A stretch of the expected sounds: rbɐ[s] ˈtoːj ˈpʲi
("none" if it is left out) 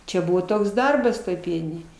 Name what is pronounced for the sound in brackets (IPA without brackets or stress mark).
s